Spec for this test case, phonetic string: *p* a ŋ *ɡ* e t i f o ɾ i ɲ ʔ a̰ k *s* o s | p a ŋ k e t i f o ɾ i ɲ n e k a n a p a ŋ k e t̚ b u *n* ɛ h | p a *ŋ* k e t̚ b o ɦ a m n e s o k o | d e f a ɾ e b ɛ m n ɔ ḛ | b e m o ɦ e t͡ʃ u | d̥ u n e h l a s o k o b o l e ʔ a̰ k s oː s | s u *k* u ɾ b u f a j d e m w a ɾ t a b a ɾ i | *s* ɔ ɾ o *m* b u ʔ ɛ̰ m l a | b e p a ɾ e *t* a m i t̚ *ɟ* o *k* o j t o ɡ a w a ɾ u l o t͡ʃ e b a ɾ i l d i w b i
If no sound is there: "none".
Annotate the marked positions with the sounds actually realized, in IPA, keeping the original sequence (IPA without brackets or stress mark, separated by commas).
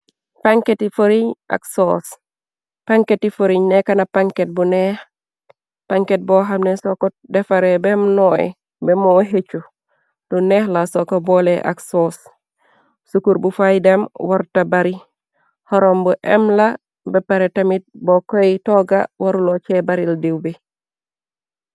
p, k, s, n, ŋ, k, h, m, t, b, k